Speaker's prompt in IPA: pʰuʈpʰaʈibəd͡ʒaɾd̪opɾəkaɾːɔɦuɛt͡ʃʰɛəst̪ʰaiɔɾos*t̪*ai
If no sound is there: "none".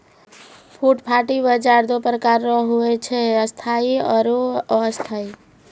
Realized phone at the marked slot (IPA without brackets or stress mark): t̪ʰ